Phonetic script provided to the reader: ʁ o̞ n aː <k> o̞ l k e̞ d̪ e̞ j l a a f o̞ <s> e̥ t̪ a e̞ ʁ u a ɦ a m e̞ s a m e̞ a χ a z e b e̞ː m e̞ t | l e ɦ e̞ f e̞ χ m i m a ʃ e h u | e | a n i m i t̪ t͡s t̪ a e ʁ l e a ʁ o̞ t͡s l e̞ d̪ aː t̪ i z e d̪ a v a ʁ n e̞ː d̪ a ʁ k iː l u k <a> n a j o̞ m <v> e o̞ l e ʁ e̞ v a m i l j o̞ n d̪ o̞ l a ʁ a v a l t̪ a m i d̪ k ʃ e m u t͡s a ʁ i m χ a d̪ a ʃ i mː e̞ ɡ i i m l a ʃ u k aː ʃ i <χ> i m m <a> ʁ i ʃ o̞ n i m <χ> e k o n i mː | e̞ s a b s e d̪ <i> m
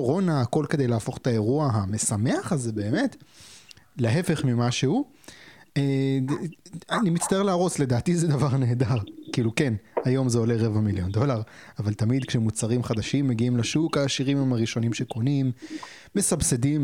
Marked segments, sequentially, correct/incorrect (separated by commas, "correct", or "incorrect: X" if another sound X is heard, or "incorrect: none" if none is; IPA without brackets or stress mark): correct, incorrect: χ, incorrect: e, incorrect: z, incorrect: ʁ, correct, incorrect: ʃ, correct